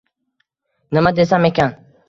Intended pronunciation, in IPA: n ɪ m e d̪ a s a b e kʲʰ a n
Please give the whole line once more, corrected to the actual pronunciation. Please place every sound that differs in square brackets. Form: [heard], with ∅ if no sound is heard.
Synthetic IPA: n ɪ m [a] d̪ [e] s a [m] e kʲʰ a n